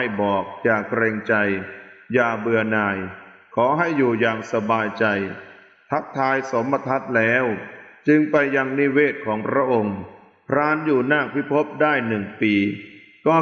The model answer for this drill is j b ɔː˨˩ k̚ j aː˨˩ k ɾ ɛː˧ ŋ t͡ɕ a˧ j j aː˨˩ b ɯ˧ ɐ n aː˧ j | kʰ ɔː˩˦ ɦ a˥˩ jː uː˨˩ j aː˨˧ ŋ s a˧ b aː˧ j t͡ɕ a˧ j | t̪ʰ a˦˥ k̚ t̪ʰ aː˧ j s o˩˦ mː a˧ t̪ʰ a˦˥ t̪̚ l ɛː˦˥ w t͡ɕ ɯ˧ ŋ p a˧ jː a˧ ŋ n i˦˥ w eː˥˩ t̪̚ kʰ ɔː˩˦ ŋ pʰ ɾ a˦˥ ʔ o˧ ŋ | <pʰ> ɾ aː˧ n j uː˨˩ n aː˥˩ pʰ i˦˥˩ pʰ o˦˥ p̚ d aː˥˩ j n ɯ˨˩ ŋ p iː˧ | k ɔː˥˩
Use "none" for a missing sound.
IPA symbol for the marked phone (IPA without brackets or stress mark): pʰ